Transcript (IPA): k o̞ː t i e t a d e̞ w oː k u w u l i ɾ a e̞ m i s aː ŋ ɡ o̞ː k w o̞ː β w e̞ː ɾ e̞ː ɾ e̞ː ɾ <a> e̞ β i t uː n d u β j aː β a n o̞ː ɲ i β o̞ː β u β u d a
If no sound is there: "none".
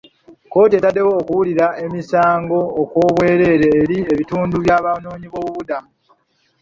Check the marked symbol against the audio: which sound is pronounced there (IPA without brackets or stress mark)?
i